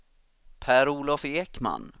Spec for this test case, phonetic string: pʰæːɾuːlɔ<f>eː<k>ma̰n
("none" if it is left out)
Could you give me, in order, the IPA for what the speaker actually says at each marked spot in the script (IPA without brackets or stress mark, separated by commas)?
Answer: f, k